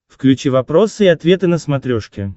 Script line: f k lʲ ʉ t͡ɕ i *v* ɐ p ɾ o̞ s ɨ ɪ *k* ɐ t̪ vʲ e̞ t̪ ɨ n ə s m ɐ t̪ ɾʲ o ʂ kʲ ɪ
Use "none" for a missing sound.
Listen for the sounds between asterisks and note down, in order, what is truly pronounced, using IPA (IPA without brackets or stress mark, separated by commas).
v, none